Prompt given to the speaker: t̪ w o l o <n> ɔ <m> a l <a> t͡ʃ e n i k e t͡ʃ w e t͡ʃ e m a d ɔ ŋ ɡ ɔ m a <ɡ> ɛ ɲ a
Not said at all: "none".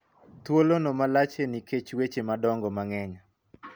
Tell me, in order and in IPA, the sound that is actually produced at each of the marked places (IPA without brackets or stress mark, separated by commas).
n, m, a, ŋ